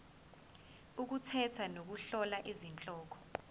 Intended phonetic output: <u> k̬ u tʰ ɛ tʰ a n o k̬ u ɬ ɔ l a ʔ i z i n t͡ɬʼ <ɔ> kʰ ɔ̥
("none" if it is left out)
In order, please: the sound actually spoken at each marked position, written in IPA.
u, ɔː

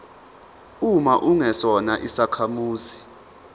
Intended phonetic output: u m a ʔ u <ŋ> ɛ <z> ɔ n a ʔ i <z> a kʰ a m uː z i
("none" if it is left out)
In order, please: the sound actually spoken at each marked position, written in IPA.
ŋ, s, s

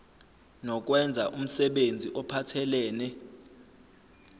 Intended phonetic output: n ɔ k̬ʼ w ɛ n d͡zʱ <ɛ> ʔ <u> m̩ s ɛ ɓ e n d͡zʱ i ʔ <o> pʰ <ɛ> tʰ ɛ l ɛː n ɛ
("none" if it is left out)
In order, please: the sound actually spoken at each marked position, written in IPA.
a, u, ɔ, a

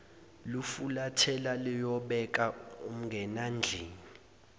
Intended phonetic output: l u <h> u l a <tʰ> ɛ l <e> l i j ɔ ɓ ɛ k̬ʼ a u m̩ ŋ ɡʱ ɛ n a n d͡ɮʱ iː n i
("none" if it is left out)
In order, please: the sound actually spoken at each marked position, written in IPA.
f, tʰ, a

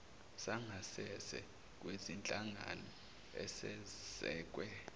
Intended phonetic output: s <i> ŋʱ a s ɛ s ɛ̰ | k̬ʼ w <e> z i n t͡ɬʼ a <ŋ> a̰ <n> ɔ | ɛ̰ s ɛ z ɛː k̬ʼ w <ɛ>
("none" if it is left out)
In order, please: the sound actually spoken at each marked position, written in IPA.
a, e, ŋ, n, ɛ

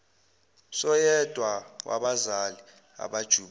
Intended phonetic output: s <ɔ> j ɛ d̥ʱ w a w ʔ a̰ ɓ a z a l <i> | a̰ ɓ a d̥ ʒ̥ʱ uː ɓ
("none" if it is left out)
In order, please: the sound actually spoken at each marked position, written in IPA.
ɔ, i

